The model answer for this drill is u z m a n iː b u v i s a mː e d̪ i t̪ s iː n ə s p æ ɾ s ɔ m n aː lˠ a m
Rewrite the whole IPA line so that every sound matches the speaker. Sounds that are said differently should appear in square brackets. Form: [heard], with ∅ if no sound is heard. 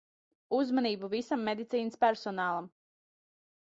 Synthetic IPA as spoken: u z m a n iː b u v i s a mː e d̪ i t̪ s iː n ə s p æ ɾ s ɔ [∅] n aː lˠ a m